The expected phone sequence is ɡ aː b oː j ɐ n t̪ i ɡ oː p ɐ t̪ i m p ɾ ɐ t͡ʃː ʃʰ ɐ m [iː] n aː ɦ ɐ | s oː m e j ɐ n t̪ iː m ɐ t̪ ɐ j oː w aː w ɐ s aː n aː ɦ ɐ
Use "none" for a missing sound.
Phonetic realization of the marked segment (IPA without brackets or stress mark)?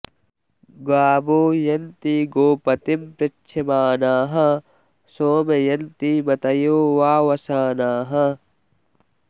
aː